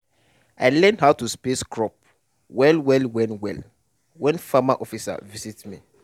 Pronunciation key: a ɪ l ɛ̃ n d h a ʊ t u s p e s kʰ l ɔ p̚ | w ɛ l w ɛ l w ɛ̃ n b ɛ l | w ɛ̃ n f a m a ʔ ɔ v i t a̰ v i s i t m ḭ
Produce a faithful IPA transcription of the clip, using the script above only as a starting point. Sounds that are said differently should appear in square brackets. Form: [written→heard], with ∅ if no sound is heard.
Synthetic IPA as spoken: a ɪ l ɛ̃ n d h a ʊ t u s p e s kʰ [l→ɹ] ɔ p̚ | w ɛ l w ɛ l w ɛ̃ n [b→w] ɛ l | w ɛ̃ n f a m a ʔ ɔ [v→f] i [t→s] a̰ v i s i t m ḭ